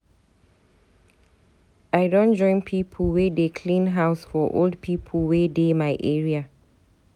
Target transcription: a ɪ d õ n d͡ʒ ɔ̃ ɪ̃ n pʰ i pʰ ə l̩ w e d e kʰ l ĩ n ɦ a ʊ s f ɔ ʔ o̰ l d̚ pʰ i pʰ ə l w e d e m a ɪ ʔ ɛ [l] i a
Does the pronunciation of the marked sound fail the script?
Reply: yes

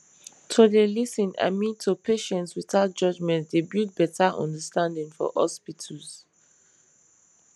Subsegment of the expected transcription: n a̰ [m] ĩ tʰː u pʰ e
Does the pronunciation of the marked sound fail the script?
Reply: no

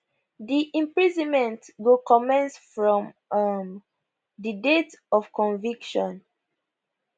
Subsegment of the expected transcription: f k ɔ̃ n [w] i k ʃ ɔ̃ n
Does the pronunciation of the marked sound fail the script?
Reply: yes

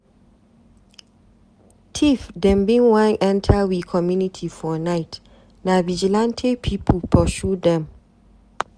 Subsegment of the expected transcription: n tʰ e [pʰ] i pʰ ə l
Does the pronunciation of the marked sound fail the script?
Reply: no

